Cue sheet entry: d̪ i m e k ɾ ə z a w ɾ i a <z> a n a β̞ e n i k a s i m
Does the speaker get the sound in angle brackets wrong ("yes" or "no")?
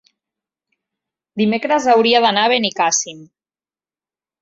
yes